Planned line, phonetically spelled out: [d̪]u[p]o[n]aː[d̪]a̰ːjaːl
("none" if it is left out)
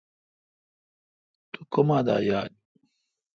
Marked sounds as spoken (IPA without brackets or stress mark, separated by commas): t̪, k, m, d̪